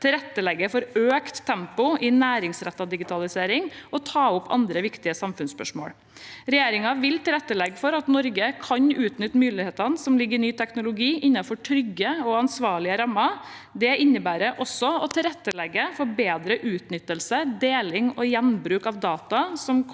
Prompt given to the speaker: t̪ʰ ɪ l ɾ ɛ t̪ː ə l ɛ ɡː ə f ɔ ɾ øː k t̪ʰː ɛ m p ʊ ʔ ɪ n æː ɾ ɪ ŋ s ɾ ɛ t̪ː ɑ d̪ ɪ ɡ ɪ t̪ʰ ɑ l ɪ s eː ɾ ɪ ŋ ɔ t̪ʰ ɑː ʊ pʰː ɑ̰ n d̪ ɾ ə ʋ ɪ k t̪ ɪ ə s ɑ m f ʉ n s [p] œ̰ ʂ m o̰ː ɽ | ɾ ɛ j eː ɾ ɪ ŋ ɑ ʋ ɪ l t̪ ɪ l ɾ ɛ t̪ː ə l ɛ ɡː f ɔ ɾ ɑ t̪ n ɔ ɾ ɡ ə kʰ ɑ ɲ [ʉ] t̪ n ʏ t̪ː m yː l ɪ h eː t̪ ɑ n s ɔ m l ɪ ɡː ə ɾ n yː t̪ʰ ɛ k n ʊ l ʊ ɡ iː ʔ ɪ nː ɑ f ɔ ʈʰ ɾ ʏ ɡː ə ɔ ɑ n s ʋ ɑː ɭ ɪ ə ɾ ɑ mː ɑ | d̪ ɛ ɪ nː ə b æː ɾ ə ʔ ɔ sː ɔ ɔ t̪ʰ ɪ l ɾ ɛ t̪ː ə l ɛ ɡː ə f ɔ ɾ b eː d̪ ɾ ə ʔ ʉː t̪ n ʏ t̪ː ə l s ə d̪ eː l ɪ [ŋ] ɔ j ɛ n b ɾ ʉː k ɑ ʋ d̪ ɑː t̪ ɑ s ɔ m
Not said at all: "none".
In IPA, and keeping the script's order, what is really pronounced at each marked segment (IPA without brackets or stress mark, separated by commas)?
p, ʉː, ŋ